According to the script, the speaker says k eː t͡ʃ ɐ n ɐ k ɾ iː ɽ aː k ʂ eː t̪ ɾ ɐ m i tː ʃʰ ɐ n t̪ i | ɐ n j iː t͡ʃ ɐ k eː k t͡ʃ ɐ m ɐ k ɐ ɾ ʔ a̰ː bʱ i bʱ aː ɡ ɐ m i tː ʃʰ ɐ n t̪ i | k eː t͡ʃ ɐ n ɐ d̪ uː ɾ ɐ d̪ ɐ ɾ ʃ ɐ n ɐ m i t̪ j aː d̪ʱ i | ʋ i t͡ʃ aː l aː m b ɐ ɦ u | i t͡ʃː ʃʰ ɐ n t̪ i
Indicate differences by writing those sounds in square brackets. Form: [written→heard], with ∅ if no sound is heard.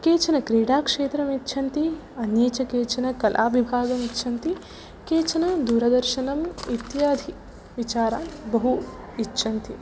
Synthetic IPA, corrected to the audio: k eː t͡ʃ ɐ n ɐ k ɾ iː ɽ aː k ʂ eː t̪ ɾ ɐ m i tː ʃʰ ɐ n t̪ i | ɐ n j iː t͡ʃ ɐ k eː [k→∅] t͡ʃ ɐ [m→n] ɐ k ɐ [ɾ→l] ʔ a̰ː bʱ i bʱ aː ɡ ɐ m i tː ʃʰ ɐ n t̪ i | k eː t͡ʃ ɐ n ɐ d̪ uː ɾ ɐ d̪ ɐ ɾ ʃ ɐ n ɐ m i t̪ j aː d̪ʱ i | ʋ i t͡ʃ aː [l→ɾ] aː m b ɐ ɦ u | i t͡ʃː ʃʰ ɐ n t̪ i